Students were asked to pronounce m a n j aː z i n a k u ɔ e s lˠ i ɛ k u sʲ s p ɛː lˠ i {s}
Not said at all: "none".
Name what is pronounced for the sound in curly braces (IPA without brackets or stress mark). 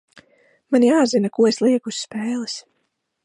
s